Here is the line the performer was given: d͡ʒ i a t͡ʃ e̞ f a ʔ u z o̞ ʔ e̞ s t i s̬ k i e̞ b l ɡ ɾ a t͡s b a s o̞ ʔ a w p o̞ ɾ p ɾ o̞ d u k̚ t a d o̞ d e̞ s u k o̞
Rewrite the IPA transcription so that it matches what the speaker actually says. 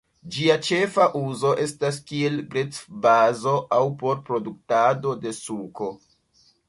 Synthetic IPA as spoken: d͡ʒ i a t͡ʃ e̞ f a ʔ u z o̞ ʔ e̞ s t a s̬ k i e̞ l ɡ ɾ e t͡s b a z o̞ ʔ a w p o̞ ɾ p ɾ o̞ d u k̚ t a d o̞ d e̞ s u k o̞